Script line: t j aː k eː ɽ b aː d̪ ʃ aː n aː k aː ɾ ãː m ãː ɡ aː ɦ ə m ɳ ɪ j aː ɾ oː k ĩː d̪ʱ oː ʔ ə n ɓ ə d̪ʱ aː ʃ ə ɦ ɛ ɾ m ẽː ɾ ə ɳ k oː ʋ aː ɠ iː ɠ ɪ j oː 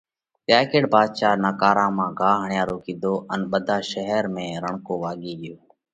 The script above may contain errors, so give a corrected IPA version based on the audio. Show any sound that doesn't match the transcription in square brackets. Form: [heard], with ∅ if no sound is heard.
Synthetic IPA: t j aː k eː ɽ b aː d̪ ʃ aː n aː k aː ɾ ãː m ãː ɡ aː ɦ ə [∅] ɳ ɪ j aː ɾ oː k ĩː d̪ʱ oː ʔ ə n ɓ ə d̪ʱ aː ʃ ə ɦ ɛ ɾ m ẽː ɾ ə ɳ k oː ʋ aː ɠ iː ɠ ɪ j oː